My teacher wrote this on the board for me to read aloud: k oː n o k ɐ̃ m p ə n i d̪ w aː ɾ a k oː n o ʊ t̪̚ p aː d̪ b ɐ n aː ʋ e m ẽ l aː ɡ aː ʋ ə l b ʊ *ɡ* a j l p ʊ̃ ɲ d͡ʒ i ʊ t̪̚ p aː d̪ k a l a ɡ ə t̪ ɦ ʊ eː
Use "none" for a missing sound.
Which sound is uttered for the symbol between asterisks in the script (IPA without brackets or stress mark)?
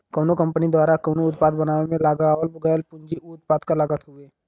ɡ